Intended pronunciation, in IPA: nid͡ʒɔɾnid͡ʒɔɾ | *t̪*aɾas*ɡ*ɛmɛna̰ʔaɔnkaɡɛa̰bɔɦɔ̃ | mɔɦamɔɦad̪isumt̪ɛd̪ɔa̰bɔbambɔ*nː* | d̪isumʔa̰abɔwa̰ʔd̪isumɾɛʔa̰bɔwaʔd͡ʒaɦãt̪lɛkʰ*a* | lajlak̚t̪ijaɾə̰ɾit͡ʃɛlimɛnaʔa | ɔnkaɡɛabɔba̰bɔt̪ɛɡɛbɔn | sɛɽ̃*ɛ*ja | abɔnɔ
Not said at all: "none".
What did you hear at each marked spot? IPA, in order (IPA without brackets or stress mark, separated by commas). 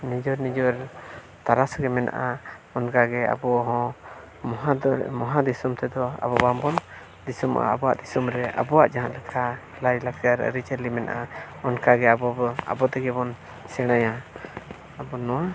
t̪, ɡ, n, a, a